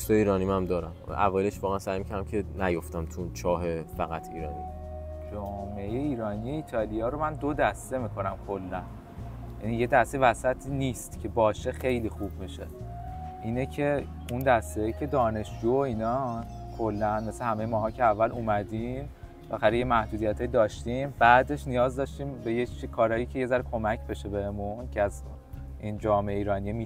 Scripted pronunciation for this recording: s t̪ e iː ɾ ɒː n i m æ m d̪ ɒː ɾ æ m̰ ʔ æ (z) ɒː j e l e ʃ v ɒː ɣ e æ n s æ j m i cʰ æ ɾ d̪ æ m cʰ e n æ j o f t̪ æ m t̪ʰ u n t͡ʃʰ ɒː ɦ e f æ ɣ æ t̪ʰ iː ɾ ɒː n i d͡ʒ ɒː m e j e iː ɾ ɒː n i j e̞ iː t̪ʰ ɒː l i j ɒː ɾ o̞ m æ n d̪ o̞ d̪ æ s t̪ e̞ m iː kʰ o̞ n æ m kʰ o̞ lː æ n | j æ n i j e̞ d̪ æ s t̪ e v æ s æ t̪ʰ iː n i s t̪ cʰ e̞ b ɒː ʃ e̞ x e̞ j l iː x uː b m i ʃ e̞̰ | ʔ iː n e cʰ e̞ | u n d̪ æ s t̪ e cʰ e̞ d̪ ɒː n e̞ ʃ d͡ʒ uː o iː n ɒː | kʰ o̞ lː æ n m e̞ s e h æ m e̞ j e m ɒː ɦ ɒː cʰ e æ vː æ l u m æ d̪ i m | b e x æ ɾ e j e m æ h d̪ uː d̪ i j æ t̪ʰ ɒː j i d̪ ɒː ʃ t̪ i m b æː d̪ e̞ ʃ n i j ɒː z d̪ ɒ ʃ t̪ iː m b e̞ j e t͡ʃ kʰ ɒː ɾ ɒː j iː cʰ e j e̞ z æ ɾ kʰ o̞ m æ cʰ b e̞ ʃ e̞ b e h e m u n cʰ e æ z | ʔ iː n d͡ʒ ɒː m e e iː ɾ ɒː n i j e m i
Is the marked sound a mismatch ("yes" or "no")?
yes